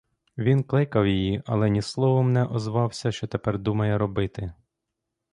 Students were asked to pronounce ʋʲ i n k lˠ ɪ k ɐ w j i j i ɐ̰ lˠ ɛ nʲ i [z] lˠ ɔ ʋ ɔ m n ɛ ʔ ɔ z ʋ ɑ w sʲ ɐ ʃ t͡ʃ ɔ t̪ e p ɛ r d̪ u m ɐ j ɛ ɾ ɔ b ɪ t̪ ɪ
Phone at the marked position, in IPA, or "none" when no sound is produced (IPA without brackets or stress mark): s